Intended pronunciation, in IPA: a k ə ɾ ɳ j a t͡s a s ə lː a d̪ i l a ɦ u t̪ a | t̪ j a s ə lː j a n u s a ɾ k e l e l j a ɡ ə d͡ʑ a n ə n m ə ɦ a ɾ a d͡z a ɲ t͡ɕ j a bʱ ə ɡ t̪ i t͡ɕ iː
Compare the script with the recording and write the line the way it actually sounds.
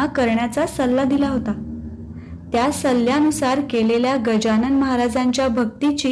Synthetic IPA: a k ə ɾ ɳ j a t͡s a s ə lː a d̪ i l a ɦ o t̪ a | t̪ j a s ə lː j a n u s a ɾ k e l e l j a ɡ ə d͡ʑ a n ə n m ə ɦ a ɾ a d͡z a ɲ t͡ɕ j a bʱ ə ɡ t̪ i t͡ɕ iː